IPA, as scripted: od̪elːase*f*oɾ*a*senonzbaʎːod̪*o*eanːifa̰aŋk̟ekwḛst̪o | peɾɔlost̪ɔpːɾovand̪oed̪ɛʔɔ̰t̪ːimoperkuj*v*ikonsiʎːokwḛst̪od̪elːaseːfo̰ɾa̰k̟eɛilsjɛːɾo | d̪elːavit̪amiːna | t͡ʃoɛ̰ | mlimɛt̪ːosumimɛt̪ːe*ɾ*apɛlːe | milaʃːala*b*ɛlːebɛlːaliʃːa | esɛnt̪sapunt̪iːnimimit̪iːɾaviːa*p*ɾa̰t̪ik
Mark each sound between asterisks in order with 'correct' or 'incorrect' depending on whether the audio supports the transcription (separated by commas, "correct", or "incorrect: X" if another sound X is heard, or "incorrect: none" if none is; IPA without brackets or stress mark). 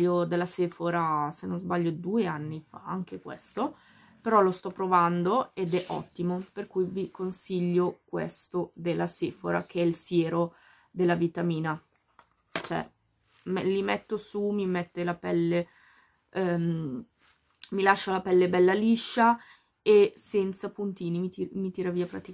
correct, correct, incorrect: u, correct, incorrect: l, incorrect: p, correct